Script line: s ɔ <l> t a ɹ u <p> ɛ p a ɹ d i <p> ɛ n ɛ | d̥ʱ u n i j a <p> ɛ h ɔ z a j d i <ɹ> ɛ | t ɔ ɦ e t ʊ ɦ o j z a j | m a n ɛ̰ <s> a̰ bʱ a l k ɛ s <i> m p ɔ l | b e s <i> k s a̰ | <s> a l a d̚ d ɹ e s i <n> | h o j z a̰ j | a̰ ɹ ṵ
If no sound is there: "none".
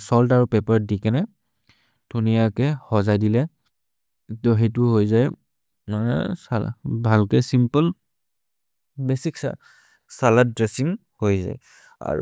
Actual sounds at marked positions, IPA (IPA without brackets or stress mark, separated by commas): l, p, k, k, l, s, i, i, s, ŋ